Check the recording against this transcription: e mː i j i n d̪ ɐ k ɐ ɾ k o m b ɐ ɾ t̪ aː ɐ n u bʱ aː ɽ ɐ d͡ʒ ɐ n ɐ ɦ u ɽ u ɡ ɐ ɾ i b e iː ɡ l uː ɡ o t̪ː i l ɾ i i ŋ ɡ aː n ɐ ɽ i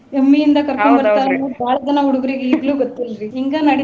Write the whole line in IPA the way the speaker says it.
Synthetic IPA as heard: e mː i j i n d̪ ɐ k ɐ ɾ k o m b ɐ ɾ t̪ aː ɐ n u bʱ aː ɭ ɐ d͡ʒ ɐ n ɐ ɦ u ɽ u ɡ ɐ ɾ i ɡ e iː ɡ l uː ɡ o t̪ː i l ɾ i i ŋ ɡ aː n ɐ ɽ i

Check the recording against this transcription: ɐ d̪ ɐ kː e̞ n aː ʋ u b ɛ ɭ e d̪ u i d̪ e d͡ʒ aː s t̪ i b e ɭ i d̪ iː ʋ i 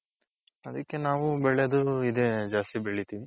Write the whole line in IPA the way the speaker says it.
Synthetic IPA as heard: ɐ d̪ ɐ kː e̞ n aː ʋ u b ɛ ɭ e d̪ u i d̪ e d͡ʒ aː s t̪ i b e ɭ i t̪ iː ʋ i

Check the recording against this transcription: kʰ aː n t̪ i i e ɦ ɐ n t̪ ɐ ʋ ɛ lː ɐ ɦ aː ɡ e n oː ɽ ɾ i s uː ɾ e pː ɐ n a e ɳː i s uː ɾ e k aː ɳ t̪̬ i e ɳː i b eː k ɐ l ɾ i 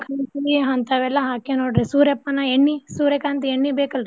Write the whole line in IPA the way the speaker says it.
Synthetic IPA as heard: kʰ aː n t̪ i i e ɦ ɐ n t̪ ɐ ʋ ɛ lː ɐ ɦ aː k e n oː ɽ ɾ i s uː ɾ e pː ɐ n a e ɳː i s uː ɾ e k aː n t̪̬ i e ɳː i b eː k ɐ l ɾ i

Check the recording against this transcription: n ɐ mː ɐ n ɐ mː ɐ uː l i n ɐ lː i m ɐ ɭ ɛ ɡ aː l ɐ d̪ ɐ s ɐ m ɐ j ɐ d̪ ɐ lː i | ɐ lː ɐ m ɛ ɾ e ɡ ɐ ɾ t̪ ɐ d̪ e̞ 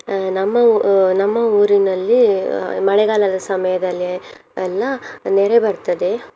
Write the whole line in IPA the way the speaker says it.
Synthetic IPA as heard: n ɐ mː ɐ n ɐ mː ɐ uː ɾ i n ɐ lː i m ɐ ɭ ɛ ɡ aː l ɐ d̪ ɐ s ɐ m ɐ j ɐ d̪ ɐ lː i | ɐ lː ɐ n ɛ ɾ e b ɐ ɾ t̪ ɐ d̪ e̞

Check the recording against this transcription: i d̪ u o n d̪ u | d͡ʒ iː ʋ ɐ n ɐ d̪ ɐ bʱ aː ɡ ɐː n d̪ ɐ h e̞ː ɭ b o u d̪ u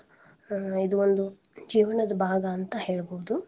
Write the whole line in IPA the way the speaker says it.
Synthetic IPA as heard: i d̪ u o n d̪ u | d͡ʒ iː ʋ ɐ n ɐ d̪ ɐ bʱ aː ɡ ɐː n t̪ ɐ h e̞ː ɭ b o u d̪ u

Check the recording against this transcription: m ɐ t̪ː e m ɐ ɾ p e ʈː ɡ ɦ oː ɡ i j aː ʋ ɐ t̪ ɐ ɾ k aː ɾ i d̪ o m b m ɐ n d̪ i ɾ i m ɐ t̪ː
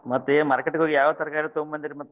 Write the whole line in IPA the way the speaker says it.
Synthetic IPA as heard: m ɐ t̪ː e m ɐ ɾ k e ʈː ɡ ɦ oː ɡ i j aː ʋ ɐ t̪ ɐ ɾ k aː ɾ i t̪ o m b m ɐ n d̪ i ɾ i m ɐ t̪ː

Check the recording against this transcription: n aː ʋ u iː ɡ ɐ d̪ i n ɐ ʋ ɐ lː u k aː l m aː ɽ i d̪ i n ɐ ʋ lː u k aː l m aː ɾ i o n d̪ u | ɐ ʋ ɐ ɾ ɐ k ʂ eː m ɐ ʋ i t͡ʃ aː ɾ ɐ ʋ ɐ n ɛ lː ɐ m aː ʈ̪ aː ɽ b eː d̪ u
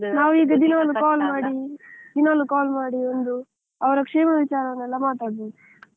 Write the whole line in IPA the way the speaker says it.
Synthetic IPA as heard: n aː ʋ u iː ɡ ɐ d̪ i n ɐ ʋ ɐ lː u k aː l m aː ɽ i d̪ i n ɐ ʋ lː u k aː l m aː ɽ i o n d̪ u | ɐ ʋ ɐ ɾ ɐ k ʂ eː m ɐ ʋ i t͡ʃ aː ɾ ɐ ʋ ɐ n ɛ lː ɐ m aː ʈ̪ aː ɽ b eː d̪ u

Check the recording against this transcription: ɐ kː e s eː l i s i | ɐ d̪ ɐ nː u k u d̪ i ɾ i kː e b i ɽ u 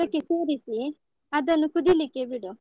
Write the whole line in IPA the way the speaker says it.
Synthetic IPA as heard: ɐ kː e s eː ɾ i s i | ɐ d̪ ɐ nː u k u d̪ i l i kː e b i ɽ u

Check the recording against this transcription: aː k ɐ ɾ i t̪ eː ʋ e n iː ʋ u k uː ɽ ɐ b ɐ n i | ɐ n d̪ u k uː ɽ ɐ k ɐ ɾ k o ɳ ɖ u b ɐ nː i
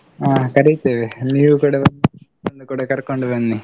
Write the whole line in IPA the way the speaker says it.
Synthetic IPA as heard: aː k ɐ ɾ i t̪ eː ʋ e n iː ʋ u k uː ɽ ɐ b ɐ n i | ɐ n d̪ u k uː ɽ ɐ k ɐ ɾ k o ɳ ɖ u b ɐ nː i

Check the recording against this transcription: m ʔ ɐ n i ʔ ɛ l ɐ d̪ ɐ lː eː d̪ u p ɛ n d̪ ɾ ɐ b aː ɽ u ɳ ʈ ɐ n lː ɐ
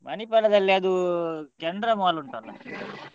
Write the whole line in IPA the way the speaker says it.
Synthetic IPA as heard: m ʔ ɐ n i p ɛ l ɐ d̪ ɐ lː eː d̪ u k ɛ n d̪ ɾ ɐ m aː l u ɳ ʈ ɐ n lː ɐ

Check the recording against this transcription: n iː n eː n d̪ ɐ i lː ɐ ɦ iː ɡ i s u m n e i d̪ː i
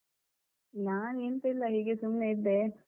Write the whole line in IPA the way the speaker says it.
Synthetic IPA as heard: n aː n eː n t̪ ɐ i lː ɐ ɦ iː ɡ e s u m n e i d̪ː e

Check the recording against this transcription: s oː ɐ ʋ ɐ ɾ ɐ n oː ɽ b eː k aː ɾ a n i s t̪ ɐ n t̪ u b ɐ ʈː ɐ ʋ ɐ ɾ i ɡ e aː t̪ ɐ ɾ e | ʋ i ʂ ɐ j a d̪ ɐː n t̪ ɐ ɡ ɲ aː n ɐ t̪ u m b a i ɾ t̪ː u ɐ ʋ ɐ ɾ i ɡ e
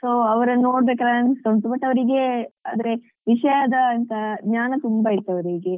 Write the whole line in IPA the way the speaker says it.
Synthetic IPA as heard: s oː ɐ ʋ ɐ ɾ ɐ n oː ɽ b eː k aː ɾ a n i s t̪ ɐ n t̪ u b ɐ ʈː ɐ ʋ ɐ ɾ i ɡ e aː d̪ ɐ ɾ e | ʋ i ʂ ɐ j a d̪ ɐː n t̪ ɐ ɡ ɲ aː n ɐ t̪ u m b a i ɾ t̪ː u ɐ ʋ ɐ ɾ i ɡ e

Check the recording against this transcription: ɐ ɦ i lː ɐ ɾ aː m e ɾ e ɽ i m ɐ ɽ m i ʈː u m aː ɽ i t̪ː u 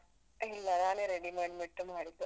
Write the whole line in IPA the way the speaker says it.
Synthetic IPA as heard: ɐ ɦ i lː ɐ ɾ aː n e ɾ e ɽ i m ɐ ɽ m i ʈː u m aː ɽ i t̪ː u

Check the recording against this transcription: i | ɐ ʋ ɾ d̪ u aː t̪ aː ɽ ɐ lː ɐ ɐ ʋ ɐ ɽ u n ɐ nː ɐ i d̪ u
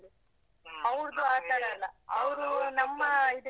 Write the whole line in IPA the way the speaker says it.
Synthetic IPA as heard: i | ɐ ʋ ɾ d̪ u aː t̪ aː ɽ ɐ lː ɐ ɐ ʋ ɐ ɾ u n ɐ mː ɐ i d̪ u

